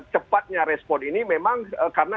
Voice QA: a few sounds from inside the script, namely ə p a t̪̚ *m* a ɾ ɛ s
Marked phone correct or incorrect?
incorrect: ɲ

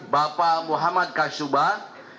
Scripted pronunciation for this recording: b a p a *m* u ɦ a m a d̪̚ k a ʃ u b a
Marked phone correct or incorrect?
correct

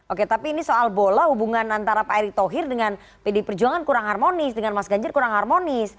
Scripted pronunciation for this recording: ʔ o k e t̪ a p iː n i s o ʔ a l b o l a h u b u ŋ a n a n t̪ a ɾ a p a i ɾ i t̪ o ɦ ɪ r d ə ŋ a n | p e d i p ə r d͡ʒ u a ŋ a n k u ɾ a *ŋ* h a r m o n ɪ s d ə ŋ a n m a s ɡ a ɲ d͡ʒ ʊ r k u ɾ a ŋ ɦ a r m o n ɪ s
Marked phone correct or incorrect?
correct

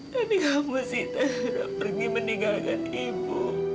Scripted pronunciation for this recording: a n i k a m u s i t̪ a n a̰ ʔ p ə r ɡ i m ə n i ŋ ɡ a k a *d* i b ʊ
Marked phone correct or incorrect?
incorrect: n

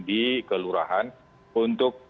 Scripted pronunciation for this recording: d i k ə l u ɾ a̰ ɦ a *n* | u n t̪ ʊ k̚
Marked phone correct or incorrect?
correct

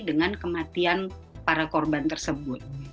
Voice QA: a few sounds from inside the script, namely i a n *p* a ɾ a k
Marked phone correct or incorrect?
correct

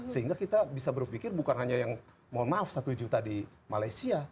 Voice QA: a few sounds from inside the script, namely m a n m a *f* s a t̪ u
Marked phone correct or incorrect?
correct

